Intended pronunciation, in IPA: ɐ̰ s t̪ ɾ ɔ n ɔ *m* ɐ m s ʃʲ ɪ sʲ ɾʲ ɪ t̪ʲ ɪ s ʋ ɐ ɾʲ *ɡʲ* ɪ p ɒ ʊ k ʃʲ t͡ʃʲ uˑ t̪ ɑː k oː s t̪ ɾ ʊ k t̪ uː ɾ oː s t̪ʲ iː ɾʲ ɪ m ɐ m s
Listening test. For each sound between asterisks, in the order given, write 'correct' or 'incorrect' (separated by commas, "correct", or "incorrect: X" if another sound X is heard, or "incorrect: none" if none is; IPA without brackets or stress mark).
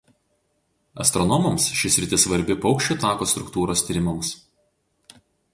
correct, incorrect: bʲ